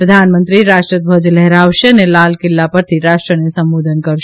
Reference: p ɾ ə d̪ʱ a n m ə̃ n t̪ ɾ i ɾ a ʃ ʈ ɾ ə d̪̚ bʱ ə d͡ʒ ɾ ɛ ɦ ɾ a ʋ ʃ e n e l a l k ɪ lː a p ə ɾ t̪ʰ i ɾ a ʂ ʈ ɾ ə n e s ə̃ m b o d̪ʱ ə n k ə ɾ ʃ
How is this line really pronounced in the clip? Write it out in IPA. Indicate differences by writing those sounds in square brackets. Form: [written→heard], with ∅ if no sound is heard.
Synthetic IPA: p ɾ ə d̪ʱ a n m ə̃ n t̪ ɾ i ɾ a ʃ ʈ ɾ ə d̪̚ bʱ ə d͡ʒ [ɾ→l] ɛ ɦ ɾ a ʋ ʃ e n e l a l k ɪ lː a p ə ɾ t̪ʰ i ɾ a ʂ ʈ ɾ ə n e s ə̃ m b o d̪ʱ ə n k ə ɾ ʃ

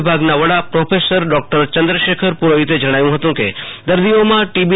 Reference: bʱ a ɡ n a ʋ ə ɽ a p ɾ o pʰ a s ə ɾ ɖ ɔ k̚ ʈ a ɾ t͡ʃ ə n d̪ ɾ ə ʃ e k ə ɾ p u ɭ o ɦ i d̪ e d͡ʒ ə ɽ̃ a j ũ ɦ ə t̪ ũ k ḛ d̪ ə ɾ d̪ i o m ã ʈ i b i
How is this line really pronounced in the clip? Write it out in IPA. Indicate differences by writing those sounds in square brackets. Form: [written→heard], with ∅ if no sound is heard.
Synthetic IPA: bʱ a ɡ n a ʋ ə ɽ a p ɾ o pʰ [a→e] s ə ɾ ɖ ɔ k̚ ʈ [a→ə] ɾ t͡ʃ ə n d̪ ɾ ə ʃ e [k→kʰ] ə ɾ p u [ɭ→ɾ] o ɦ i [d̪→t̪] e d͡ʒ ə ɽ̃ a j ũ ɦ ə t̪ ũ k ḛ d̪ ə ɾ d̪ i o m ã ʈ i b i

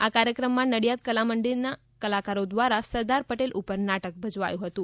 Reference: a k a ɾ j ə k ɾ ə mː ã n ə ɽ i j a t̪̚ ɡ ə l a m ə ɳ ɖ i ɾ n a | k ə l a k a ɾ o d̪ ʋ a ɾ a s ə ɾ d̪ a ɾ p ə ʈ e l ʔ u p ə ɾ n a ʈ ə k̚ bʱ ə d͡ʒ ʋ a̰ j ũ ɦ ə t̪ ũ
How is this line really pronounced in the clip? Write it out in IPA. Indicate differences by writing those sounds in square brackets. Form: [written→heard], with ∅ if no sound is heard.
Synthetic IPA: a k a ɾ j ə k ɾ ə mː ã n ə ɽ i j a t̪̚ [ɡ→k] ə l a m ə ɳ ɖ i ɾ n a | k ə l a k a ɾ o d̪ ʋ a ɾ a s ə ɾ d̪ a ɾ p ə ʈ e l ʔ u p ə ɾ n a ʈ ə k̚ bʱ ə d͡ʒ ʋ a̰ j ũ ɦ ə t̪ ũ

